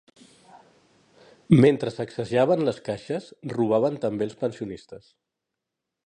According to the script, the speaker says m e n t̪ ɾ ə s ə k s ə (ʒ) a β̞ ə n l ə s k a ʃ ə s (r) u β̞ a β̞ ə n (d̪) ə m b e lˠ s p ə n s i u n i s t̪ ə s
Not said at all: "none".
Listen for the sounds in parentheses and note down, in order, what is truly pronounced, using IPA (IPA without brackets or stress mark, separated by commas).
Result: ʒ, r, t̪